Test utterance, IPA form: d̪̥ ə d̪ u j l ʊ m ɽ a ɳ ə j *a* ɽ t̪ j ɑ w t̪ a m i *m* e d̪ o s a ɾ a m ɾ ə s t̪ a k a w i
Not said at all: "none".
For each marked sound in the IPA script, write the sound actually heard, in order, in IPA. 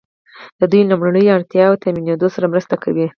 a, n

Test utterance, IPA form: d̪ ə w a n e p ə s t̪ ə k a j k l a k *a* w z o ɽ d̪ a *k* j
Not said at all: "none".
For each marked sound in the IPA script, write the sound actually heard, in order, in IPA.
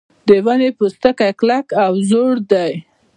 a, none

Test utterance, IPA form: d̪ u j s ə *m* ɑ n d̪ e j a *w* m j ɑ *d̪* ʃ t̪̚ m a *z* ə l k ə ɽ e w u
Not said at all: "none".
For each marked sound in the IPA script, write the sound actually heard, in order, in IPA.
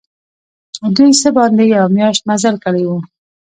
b, w, none, z

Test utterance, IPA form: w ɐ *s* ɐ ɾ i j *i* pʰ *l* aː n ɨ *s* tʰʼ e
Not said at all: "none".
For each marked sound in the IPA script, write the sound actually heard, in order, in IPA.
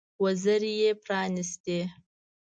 z, e, r, s

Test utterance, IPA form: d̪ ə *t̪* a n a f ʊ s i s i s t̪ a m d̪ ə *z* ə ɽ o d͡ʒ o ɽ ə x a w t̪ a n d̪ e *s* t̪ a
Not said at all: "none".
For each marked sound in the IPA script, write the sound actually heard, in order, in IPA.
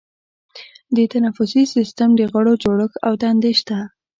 t̪, ɣ, ʃ

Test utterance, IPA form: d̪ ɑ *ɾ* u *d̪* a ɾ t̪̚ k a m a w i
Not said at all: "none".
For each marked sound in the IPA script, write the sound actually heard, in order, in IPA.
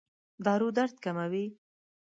ɾ, d̪

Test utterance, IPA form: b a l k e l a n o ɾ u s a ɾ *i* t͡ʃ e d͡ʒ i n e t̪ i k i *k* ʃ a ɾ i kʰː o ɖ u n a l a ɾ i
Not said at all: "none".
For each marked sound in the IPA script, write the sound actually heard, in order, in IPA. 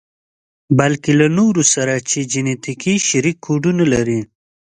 a, none

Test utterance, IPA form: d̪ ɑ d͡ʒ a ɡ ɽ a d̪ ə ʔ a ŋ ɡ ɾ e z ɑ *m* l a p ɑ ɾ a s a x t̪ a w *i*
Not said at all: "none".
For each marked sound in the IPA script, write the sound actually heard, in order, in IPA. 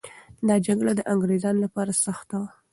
n, a

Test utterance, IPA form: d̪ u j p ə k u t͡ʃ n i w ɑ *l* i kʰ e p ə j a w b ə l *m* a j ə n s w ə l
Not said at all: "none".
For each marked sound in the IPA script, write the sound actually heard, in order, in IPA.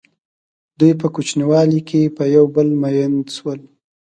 l, m

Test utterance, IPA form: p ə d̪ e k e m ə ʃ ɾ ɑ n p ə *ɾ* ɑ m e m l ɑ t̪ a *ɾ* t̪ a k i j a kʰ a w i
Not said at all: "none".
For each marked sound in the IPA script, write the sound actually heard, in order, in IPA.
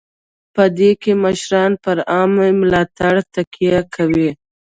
ɾ, ɽ

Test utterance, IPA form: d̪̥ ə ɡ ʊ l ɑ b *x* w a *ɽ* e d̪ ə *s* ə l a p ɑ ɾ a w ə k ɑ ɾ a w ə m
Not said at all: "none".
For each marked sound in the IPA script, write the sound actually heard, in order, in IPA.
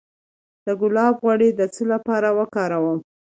ɣ, ɽ, t͡s

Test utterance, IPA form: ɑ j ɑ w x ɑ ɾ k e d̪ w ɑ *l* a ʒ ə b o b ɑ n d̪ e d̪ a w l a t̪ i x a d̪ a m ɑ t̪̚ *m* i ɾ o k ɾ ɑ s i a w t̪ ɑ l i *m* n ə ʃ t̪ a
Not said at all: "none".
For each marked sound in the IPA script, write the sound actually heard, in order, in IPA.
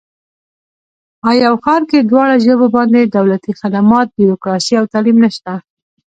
ɽ, b, m

